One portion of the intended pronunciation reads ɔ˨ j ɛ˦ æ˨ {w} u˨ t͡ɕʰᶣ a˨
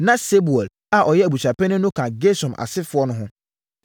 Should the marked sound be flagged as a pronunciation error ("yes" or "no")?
yes